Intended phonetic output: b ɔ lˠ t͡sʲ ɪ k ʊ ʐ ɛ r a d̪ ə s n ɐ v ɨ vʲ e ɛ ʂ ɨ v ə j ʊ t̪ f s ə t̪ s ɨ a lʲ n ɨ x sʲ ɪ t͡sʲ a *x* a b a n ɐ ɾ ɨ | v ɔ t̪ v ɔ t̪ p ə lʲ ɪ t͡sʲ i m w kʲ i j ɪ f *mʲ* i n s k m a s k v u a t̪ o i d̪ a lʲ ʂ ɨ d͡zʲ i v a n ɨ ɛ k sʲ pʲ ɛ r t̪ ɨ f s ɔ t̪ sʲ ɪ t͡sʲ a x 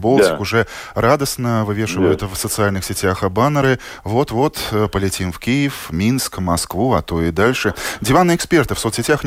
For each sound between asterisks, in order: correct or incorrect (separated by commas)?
correct, correct